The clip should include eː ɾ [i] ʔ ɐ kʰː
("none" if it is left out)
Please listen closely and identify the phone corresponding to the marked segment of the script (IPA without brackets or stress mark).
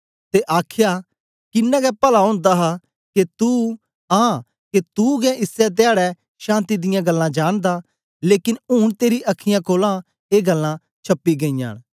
i